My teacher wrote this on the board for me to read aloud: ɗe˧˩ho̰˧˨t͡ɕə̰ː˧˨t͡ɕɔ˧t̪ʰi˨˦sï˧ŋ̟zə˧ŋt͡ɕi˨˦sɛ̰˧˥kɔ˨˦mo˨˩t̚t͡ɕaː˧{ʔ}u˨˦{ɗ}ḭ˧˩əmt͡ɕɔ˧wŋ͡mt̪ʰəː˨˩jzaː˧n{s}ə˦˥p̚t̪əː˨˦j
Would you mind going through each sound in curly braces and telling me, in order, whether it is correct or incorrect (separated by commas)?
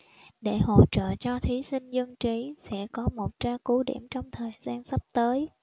incorrect, correct, correct